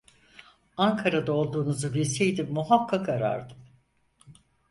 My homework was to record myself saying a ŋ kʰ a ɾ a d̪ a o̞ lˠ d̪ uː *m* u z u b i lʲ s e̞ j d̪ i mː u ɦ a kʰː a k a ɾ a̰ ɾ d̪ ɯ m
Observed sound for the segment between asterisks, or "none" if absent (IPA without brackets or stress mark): n